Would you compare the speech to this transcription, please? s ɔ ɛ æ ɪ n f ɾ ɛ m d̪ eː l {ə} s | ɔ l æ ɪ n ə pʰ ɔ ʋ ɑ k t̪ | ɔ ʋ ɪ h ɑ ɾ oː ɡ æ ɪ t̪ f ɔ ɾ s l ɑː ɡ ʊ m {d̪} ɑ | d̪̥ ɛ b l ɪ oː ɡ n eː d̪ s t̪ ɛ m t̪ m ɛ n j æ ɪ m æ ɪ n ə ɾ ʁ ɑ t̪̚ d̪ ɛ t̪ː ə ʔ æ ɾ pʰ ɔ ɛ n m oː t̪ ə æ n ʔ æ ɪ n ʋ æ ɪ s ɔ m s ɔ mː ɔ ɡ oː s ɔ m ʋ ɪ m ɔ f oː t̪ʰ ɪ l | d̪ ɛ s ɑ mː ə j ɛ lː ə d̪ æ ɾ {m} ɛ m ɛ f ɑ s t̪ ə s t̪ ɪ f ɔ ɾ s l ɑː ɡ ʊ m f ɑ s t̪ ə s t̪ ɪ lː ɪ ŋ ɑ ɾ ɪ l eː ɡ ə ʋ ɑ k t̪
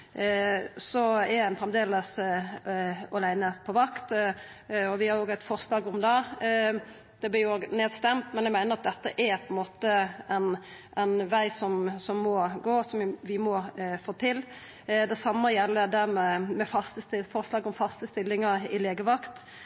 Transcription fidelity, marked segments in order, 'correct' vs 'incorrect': correct, correct, correct

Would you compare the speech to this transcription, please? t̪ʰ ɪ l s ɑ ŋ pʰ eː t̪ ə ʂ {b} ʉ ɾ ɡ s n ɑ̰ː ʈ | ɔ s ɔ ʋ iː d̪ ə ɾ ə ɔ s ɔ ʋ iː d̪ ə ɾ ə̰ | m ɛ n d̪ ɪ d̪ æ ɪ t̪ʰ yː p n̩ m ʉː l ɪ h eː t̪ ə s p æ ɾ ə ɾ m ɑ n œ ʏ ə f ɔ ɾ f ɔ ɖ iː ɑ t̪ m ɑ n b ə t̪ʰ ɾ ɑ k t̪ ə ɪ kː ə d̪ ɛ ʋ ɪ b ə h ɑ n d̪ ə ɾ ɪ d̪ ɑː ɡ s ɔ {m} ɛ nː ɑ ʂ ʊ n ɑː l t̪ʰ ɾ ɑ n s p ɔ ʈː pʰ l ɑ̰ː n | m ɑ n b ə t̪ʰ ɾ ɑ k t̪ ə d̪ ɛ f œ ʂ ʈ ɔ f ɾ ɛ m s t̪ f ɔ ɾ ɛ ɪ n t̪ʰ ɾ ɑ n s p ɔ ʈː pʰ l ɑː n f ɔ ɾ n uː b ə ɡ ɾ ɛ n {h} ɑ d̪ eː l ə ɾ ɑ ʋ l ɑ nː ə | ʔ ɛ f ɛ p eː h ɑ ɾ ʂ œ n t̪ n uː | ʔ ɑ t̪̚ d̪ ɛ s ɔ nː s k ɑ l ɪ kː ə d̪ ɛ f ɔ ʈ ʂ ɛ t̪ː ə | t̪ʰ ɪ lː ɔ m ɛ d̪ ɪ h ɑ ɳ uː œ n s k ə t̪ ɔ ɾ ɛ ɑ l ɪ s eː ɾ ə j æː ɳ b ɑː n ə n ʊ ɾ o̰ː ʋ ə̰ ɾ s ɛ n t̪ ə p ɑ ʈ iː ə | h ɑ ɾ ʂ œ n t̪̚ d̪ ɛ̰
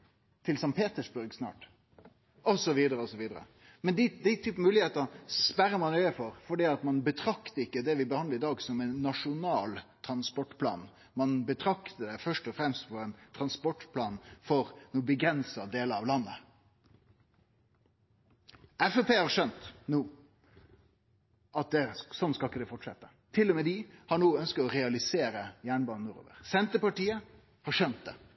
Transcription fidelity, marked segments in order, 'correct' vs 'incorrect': correct, correct, incorrect: s

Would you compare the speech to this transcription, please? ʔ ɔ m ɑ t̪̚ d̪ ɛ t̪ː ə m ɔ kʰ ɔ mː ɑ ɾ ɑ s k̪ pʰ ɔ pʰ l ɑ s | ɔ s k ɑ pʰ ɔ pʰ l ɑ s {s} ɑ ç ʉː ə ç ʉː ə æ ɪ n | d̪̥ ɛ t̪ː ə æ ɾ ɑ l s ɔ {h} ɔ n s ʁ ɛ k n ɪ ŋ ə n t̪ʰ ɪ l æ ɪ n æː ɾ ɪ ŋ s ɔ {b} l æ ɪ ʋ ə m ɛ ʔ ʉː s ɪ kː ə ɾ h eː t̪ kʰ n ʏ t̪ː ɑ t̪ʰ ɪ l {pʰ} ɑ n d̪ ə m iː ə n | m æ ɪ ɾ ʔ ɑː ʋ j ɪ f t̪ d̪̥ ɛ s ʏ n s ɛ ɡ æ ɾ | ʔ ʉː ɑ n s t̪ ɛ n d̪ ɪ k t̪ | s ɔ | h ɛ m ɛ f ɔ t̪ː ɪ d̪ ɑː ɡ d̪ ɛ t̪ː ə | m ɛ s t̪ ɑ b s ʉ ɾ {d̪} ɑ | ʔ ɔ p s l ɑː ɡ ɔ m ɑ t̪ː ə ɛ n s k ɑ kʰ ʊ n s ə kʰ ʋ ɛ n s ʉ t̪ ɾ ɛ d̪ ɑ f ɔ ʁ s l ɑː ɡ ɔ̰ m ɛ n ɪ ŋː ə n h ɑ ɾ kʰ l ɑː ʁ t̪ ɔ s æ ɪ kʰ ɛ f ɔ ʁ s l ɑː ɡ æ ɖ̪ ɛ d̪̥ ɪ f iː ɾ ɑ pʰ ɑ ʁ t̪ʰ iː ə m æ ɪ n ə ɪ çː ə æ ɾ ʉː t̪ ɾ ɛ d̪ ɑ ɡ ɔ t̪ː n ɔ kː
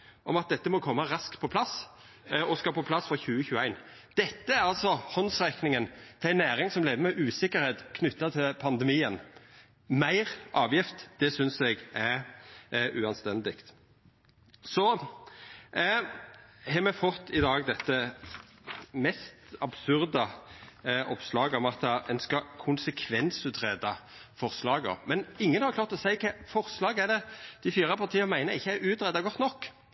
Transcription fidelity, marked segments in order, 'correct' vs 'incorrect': incorrect: f, correct, incorrect: m, correct, correct

